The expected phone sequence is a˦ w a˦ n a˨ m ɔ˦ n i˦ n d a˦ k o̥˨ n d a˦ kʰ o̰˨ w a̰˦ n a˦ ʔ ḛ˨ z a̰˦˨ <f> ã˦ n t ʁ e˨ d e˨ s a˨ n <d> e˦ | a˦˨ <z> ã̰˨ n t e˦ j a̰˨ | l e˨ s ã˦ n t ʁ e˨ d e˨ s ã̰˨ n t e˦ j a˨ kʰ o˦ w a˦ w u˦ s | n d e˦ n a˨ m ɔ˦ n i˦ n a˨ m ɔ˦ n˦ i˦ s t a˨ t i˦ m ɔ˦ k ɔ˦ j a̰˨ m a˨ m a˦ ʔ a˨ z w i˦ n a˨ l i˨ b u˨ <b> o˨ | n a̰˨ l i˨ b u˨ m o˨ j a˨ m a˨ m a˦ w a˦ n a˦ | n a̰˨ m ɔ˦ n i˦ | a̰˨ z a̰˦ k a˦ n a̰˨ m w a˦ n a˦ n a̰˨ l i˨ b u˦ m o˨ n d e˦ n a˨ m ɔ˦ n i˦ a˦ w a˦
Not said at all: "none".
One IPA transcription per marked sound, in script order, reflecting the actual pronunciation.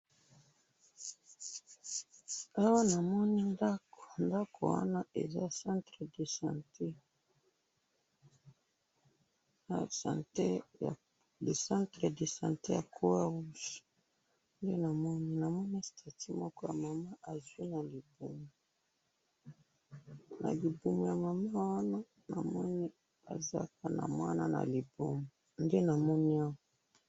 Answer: s, t, s, m

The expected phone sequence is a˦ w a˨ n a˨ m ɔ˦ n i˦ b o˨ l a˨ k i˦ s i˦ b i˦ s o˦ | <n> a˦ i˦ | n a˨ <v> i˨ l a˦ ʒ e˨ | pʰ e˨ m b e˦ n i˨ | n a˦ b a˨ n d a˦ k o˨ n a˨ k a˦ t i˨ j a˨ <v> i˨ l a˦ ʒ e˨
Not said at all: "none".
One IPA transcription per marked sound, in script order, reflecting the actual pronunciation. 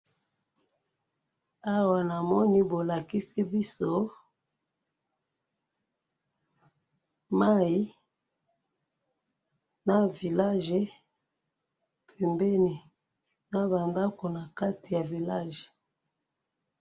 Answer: m, v, v

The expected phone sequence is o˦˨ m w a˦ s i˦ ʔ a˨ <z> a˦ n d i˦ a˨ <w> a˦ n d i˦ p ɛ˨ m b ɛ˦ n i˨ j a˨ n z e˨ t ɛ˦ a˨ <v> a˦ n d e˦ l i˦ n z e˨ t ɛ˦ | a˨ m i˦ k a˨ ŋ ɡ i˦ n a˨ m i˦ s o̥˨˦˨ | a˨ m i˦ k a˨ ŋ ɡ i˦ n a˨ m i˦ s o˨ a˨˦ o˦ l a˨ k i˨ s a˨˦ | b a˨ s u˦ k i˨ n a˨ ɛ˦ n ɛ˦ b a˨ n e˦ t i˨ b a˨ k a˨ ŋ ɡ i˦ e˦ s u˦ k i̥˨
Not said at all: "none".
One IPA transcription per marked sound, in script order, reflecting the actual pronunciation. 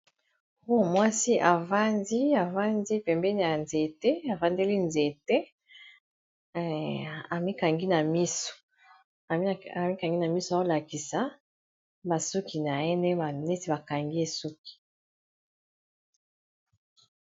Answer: v, v, v

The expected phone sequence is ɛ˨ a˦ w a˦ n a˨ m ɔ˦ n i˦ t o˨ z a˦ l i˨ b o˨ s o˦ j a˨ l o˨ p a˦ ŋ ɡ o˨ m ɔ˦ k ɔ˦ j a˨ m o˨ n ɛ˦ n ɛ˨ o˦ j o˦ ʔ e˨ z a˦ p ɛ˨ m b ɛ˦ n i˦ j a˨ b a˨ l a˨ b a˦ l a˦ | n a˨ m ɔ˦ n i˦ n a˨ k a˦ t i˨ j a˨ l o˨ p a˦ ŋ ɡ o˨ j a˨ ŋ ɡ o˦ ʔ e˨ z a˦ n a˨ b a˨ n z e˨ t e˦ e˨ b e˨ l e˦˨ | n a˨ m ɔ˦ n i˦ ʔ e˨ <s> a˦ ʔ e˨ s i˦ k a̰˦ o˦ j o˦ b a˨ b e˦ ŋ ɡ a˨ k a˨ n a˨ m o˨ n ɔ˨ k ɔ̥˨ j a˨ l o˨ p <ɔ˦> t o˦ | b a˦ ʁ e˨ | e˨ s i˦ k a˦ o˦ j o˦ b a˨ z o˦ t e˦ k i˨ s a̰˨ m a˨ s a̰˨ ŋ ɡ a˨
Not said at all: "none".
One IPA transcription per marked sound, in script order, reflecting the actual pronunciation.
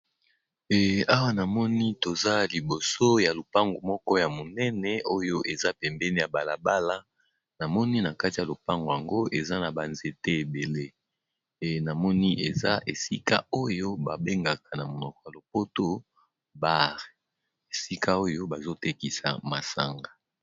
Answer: z, o˦

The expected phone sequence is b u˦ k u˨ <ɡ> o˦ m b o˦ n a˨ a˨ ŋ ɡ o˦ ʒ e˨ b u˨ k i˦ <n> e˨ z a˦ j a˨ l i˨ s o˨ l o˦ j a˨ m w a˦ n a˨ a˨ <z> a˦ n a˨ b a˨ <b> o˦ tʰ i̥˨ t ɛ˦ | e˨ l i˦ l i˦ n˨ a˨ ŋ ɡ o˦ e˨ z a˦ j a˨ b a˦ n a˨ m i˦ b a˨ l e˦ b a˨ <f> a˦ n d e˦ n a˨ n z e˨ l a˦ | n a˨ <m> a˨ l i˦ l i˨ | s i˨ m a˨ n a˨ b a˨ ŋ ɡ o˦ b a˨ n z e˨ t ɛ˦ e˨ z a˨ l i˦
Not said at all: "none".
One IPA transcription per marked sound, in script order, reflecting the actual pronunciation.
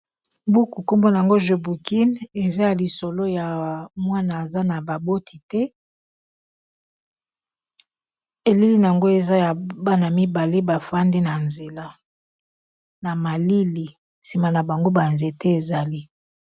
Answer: k, n, z, b, f, m

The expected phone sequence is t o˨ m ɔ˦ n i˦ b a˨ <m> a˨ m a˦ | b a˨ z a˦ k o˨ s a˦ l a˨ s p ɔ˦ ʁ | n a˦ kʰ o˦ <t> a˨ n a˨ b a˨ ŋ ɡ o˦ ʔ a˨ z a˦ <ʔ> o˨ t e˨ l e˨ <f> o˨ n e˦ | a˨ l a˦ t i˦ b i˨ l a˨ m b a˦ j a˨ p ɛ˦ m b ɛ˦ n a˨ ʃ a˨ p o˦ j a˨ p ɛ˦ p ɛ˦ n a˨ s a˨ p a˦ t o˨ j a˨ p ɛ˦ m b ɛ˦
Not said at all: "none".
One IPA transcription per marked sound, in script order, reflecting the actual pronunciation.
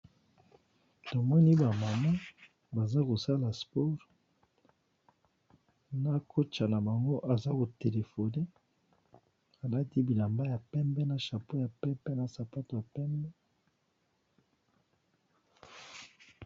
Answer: m, t͡ʃ, k, f

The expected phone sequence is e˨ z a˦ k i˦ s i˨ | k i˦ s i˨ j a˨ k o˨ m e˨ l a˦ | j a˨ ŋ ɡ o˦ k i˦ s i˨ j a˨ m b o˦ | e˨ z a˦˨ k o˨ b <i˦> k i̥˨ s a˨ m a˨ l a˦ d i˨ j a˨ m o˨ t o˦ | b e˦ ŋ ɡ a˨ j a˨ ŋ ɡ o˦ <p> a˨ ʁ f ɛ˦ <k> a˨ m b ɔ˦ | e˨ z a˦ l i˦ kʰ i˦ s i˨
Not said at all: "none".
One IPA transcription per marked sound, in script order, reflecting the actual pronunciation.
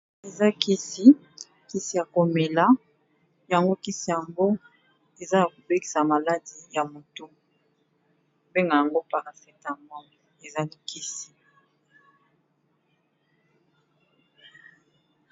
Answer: e˦, p, t

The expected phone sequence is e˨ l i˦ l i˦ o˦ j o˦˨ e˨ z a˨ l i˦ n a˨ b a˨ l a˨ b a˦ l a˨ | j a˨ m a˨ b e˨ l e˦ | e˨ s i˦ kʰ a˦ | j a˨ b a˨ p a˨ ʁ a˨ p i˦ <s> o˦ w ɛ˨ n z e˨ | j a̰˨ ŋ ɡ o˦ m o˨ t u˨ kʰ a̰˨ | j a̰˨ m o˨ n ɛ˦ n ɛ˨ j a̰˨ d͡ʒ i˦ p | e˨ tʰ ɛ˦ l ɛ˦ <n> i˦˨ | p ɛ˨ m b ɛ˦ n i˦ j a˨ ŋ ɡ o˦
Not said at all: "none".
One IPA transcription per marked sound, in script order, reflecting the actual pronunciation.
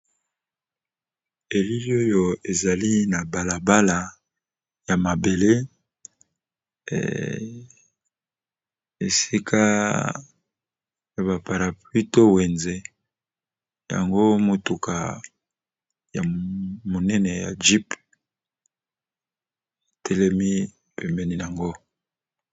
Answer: t, m

